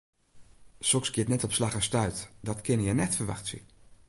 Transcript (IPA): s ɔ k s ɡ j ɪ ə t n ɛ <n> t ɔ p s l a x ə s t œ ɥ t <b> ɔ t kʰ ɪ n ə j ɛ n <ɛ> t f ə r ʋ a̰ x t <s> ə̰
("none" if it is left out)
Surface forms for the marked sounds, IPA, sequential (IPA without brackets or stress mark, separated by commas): none, d, ɛ, s